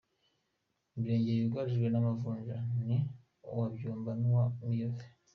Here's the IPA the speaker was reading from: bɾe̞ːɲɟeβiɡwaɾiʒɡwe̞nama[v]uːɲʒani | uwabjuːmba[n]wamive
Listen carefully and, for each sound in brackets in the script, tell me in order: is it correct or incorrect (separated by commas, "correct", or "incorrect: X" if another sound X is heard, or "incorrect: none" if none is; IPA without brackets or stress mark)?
correct, correct